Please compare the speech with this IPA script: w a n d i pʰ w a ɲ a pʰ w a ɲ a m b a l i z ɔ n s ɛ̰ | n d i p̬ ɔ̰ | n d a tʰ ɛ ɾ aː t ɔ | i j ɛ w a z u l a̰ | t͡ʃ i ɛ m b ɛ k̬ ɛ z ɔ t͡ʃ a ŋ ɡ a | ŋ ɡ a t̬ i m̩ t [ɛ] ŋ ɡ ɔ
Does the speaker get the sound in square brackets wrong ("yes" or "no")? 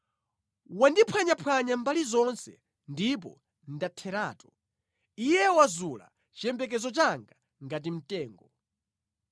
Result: yes